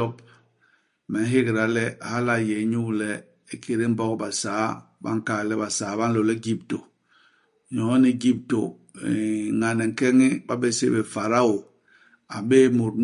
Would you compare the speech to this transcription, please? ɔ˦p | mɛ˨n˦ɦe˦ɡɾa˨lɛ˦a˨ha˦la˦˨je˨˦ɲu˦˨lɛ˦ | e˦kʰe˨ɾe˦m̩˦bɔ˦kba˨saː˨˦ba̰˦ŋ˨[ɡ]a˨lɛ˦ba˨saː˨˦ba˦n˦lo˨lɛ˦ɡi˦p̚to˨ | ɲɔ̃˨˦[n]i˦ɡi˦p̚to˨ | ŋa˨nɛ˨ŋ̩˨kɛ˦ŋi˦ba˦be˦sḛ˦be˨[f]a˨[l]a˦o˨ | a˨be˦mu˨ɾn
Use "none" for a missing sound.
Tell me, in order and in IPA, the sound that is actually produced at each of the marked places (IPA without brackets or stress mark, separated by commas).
k, n, f, ɾ